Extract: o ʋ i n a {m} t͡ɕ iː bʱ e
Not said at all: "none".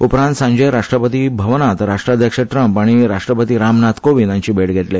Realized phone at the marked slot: ɲ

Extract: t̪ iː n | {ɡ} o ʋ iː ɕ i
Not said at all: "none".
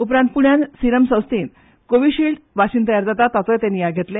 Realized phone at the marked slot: k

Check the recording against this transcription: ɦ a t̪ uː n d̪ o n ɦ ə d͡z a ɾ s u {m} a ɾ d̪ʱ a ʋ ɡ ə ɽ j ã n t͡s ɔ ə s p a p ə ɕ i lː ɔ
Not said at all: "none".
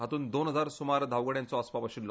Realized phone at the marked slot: m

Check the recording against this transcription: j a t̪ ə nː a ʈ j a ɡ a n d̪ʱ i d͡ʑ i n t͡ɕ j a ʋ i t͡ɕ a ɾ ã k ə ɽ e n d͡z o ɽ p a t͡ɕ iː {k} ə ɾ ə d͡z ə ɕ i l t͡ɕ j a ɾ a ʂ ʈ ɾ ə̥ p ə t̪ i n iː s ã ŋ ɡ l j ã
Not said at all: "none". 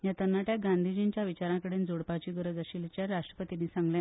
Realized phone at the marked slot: ɡ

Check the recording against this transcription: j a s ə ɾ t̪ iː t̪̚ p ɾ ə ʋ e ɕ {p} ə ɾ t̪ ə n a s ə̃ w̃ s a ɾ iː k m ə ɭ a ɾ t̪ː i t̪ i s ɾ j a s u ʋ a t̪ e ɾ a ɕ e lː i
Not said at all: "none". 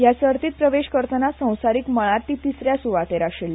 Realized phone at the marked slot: k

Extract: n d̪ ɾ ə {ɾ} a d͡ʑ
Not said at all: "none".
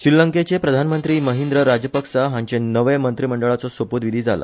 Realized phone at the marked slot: ɾ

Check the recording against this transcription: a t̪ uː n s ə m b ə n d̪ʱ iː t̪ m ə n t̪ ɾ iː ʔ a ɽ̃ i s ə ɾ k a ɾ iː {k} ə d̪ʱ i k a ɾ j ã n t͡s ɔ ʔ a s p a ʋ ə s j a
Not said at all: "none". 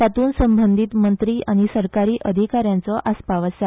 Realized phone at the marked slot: ʔ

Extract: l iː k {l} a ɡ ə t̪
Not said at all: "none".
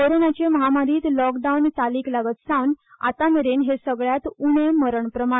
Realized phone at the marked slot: l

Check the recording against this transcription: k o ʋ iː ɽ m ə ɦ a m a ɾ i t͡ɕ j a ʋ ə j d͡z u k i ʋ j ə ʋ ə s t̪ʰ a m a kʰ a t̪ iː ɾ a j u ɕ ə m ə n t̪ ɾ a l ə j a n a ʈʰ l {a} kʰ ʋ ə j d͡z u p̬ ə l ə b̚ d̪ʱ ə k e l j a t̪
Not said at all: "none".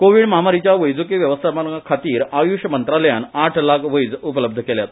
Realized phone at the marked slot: a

